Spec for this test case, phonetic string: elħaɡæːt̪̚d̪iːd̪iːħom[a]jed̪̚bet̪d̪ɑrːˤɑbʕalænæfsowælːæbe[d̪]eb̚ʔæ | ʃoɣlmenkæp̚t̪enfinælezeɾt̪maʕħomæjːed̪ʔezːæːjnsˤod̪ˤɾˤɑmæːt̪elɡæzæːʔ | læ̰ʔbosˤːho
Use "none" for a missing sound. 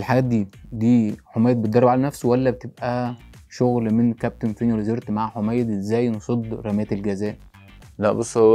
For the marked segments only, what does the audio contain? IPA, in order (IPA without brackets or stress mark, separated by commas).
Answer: æ, t̪